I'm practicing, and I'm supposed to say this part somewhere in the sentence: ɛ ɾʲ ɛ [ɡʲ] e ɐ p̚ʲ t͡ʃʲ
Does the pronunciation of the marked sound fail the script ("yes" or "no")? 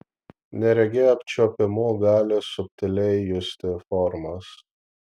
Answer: no